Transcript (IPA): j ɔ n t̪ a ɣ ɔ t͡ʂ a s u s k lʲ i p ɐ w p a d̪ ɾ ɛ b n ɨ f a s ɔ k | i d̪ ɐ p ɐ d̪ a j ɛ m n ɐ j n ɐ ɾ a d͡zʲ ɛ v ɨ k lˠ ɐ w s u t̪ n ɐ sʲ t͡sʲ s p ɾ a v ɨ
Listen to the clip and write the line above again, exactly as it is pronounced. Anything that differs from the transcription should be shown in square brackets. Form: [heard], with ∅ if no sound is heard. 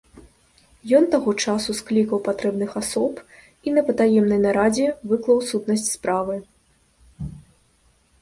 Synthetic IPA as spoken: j ɔ n t̪ a ɣ ɔ t͡ʂ a s u s k lʲ i [k] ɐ w p a [t̪] ɾ ɛ b n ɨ [x] a s ɔ [p] | i [n̪] ɐ p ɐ [t̪] a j ɛ m n ɐ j n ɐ ɾ a d͡zʲ ɛ v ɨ k lˠ ɐ w s u t̪ n ɐ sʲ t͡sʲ s p ɾ a v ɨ